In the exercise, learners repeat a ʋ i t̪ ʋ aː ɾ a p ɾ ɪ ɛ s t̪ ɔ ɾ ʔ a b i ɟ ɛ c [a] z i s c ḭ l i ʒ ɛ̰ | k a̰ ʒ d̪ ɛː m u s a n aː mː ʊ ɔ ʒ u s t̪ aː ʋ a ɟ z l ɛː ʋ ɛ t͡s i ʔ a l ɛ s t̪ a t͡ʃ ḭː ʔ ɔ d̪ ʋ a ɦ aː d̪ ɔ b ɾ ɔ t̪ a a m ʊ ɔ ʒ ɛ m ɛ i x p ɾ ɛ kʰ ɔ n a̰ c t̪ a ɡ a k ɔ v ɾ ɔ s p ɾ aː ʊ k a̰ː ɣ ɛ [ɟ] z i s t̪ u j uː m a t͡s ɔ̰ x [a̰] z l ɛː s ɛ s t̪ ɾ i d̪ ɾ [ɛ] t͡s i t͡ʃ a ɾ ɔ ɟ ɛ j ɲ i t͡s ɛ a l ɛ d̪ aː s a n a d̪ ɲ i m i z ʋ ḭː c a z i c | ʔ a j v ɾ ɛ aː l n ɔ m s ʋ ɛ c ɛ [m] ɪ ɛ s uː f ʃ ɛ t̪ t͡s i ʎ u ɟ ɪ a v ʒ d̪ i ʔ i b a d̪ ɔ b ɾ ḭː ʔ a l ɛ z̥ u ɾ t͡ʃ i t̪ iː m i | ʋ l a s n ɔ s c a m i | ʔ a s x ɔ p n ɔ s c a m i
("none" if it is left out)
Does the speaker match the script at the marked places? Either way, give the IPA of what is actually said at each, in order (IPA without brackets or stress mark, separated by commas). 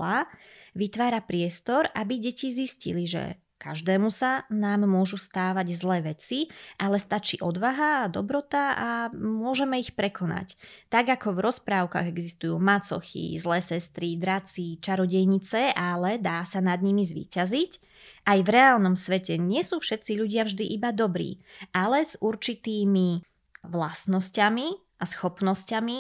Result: i, ɡ, ḭ, a, ɲ